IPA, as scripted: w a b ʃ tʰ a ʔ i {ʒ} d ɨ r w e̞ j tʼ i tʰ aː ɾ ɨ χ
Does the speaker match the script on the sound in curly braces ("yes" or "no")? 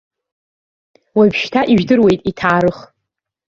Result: yes